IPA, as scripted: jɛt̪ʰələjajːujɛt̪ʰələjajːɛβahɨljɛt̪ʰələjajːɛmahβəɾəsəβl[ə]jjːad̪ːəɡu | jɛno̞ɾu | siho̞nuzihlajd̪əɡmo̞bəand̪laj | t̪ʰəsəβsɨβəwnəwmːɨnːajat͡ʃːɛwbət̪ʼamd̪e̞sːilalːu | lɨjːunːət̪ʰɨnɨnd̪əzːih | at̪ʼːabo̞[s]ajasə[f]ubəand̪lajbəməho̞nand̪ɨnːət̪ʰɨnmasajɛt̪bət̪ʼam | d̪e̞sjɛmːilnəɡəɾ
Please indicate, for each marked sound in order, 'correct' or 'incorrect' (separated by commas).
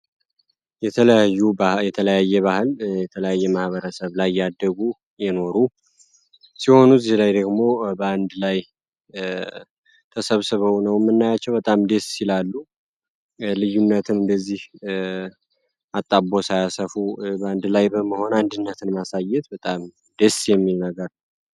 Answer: incorrect, correct, correct